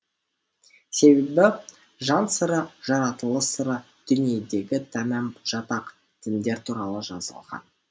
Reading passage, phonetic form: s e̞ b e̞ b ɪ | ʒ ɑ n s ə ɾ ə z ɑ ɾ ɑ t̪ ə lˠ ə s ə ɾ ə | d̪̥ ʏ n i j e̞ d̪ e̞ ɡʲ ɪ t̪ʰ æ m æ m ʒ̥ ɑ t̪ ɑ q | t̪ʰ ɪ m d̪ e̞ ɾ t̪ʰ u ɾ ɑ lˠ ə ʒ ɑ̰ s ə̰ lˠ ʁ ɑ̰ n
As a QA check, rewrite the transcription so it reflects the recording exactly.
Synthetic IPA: s e̞ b e̞ b ɪ | ʒ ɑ n s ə ɾ ə ʒ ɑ ɾ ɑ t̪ ə lˠ ə s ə ɾ ə | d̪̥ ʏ n i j e̞ d̪ e̞ ɡʲ ɪ t̪ʰ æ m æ m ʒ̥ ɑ t̪ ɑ q | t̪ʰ ɪ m d̪ e̞ ɾ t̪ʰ u ɾ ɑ lˠ ə ʒ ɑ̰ z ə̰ lˠ ʁ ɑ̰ n